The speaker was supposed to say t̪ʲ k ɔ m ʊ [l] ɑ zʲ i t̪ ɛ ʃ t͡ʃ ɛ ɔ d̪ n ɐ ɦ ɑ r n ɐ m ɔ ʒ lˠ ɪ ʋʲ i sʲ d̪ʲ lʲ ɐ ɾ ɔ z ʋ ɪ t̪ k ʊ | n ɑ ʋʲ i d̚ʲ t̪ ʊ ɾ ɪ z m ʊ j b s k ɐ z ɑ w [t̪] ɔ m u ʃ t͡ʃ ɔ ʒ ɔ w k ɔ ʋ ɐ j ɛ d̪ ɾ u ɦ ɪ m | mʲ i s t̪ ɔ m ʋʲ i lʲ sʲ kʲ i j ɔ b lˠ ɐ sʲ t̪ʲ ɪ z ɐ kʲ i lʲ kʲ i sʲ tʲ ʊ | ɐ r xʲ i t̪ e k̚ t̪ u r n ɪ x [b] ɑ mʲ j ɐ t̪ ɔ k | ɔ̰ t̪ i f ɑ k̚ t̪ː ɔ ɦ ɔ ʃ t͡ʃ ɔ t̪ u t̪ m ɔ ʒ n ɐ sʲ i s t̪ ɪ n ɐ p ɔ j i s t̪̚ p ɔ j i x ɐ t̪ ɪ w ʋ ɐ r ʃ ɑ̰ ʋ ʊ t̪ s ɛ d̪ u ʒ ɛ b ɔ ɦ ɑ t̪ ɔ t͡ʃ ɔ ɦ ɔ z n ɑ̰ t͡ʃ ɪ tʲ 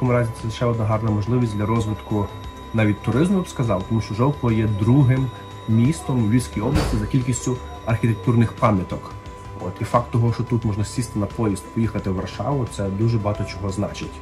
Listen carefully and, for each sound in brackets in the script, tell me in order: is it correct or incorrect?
incorrect: ɾ, correct, incorrect: p

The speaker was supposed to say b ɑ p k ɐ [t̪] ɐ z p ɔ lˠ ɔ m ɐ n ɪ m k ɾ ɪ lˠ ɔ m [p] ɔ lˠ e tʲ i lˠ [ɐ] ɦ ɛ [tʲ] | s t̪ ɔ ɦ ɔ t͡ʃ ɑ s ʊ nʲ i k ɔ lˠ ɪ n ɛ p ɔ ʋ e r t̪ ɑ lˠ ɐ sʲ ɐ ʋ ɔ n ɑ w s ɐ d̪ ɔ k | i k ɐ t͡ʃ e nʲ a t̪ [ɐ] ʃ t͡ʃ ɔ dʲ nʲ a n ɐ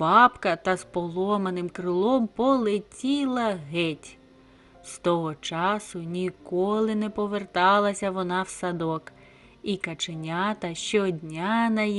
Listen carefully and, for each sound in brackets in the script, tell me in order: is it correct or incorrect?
correct, correct, correct, correct, correct

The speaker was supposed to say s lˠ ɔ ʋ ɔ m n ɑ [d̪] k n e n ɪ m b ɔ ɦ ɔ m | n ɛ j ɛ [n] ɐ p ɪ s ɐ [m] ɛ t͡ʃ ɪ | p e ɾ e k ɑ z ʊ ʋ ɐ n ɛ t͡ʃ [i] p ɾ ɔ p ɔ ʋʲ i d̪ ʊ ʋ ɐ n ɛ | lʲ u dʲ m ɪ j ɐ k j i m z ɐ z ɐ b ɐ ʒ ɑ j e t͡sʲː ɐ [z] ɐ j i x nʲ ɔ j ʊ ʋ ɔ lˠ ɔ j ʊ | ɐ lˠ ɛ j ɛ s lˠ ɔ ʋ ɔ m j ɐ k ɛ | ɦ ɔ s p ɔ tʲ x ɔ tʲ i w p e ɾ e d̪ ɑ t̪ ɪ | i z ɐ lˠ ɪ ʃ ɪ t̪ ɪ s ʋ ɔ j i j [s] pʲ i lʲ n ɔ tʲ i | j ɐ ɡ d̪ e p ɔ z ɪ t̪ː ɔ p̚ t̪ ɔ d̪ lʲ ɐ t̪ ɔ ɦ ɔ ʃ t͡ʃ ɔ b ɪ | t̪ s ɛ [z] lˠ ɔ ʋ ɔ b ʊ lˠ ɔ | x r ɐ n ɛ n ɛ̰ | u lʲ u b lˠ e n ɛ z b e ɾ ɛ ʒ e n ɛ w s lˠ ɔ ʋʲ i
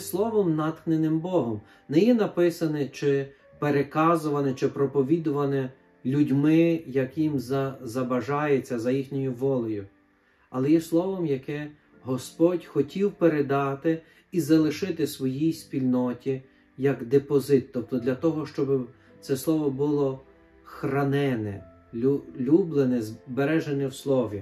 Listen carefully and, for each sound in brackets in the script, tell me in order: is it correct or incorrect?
incorrect: t̪, correct, incorrect: n, incorrect: ɪ, correct, correct, incorrect: s

